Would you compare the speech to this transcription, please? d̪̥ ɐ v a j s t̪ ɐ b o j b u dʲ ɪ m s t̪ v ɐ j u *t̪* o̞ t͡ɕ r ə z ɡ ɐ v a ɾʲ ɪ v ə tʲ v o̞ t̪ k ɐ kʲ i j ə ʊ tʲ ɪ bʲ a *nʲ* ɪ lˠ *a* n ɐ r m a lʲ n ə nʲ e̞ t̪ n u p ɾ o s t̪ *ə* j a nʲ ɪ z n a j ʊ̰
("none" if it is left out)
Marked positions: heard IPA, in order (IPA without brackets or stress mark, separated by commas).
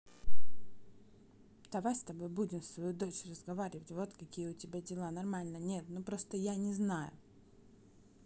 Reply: d̪, dʲ, a, ə